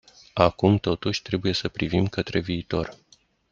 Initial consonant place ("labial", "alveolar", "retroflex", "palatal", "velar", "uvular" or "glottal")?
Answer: velar